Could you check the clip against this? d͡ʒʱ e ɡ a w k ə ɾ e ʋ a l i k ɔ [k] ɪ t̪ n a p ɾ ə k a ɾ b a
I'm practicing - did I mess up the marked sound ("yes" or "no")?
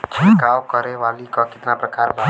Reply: no